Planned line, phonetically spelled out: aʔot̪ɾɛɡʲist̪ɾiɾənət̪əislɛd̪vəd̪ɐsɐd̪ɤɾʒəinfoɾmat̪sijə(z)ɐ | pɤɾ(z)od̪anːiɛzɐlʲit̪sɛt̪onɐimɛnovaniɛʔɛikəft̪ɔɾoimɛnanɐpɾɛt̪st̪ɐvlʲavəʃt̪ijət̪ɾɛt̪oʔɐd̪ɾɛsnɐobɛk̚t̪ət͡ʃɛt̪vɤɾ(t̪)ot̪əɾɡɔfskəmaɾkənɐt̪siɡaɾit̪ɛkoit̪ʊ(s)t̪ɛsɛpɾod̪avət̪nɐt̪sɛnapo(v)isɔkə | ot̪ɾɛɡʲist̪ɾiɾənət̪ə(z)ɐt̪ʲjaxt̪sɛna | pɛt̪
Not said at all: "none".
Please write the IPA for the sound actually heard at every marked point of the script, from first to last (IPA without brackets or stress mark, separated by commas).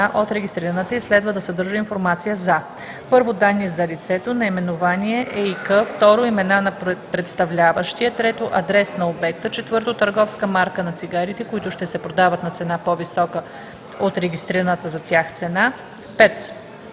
z, v, t̪, ʃ, v, z